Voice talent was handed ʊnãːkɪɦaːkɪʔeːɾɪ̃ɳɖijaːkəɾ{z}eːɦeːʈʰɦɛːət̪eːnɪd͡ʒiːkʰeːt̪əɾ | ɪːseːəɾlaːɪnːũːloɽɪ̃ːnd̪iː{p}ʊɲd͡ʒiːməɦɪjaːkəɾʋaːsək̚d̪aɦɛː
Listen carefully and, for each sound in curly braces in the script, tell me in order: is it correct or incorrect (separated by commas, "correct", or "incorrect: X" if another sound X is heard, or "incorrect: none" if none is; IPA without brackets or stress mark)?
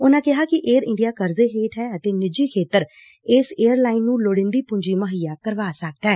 correct, correct